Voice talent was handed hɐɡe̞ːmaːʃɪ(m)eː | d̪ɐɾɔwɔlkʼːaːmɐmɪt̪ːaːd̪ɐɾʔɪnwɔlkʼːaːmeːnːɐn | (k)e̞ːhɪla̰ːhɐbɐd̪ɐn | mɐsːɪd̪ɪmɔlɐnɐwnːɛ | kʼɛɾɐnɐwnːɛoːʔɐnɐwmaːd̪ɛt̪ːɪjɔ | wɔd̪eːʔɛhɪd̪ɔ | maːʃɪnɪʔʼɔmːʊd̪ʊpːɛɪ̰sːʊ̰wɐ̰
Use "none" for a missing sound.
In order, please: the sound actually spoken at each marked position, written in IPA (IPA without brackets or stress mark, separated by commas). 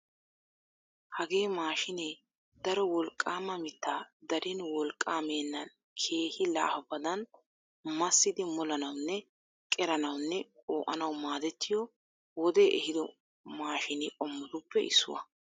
n, kʰ